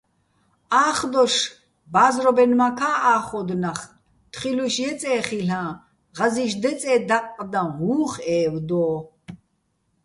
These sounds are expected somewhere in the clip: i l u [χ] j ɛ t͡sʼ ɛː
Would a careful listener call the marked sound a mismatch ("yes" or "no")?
yes